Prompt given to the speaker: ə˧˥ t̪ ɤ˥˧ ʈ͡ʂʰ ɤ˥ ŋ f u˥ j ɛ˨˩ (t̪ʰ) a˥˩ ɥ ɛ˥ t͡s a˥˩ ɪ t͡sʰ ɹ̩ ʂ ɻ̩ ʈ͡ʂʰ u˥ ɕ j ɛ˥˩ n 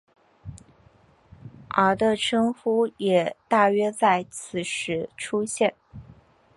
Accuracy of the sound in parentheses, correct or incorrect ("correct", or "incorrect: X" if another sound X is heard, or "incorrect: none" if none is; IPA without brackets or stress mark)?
incorrect: t̪